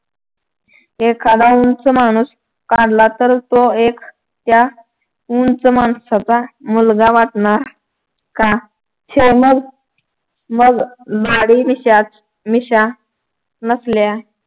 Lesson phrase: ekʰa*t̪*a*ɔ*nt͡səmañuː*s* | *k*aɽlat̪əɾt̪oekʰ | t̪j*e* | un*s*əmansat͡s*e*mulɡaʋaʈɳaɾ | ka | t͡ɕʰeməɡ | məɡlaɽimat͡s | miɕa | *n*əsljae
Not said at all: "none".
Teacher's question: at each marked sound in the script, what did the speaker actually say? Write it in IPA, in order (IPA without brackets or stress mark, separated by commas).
d̪, u, s, k, a, t͡s, a, n